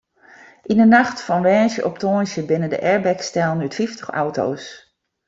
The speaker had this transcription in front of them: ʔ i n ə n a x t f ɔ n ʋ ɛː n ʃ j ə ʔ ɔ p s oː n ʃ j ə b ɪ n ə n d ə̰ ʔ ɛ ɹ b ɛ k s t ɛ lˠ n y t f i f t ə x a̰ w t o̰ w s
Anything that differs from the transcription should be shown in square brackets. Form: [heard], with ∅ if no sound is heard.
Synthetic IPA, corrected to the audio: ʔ i n ə n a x t f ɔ n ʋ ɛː n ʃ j ə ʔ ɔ p [t] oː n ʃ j ə b ɪ n ə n d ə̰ ʔ ɛ ɹ b ɛ k s t ɛ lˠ n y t f i f t ə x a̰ w t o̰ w s